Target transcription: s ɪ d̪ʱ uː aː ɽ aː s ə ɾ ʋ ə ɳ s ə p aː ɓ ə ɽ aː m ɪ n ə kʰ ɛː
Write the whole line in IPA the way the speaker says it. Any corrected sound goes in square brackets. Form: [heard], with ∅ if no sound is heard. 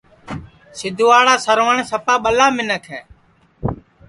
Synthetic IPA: s ɪ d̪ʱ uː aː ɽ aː s ə ɾ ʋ ə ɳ s ə p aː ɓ ə [l] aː m ɪ n ə kʰ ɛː